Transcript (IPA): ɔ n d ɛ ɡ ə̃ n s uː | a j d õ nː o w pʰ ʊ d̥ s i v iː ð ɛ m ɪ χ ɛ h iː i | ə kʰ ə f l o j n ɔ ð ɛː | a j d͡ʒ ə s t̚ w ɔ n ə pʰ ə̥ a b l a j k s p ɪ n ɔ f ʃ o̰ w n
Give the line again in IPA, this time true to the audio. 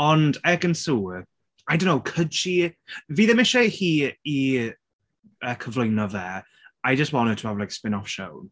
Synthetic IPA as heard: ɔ n d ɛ ɡ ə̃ n s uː | a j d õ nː o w kʰ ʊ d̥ ʃ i v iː ð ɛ m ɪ ʃ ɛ h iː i | ə kʰ ə v l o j n ɔ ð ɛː | a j d͡ʒ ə s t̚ w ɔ n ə tʰ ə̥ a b l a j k s p ɪ n ɔ f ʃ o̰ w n